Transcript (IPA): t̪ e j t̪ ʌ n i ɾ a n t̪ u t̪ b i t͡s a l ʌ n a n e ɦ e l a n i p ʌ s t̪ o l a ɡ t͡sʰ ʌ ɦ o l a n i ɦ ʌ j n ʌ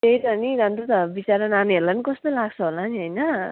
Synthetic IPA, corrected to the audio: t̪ e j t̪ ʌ n i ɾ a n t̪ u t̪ b i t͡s a ɾ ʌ n a n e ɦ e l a n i k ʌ s t̪ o l a ɡ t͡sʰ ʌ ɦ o l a n i ɦ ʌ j n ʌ